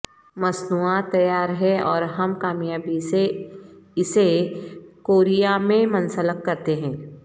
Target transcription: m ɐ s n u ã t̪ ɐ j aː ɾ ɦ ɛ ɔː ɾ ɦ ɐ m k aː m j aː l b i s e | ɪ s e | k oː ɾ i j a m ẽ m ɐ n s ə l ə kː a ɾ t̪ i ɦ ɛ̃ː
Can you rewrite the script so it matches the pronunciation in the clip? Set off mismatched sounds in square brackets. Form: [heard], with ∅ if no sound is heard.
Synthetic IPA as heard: m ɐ s n u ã t̪ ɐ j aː ɾ ɦ ɛ ɔː ɾ ɦ ɐ m k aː m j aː [∅] b i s e | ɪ s e | k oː ɾ i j a m ẽ m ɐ n s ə l ə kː [ɐ] ɾ t̪ [e] ɦ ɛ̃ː